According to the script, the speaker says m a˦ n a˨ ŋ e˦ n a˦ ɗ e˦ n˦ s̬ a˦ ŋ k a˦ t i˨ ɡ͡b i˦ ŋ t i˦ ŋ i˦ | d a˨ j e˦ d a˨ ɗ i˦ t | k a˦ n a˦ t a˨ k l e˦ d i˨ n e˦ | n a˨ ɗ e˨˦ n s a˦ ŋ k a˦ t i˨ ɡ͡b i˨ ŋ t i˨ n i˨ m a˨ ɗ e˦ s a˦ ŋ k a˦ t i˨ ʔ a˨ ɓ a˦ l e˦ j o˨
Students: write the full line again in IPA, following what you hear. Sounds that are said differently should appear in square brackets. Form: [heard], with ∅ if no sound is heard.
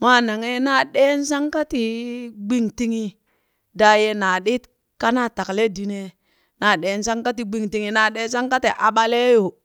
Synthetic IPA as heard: m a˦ n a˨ ŋ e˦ n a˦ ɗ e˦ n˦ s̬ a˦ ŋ k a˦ t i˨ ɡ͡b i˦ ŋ t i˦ ŋ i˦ | d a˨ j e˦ [n] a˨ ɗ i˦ t | k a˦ n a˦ t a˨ k l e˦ d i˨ n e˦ | n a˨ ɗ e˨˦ n s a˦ ŋ k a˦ t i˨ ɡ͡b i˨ ŋ t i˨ [ŋ] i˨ [n] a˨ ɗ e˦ s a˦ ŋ k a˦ t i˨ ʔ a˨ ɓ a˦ l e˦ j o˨